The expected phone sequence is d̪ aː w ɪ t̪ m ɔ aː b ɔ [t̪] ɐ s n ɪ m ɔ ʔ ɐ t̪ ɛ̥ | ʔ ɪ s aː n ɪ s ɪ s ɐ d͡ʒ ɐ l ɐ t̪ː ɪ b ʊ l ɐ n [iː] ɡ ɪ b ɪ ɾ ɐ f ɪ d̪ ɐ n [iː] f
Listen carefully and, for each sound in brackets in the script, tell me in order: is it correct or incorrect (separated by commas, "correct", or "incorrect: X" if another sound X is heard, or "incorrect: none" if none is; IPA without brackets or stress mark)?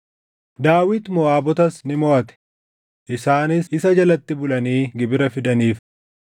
correct, correct, correct